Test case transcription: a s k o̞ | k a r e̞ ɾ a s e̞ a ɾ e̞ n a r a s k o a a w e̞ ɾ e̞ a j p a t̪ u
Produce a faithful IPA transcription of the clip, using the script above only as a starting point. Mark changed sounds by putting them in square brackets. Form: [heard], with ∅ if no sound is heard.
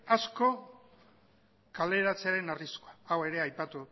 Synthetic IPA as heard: a s k o̞ | k a [l] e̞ ɾ a [t͡s] e̞ a ɾ e̞ n a r [i] s k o a a w e̞ ɾ e̞ a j p a t̪ u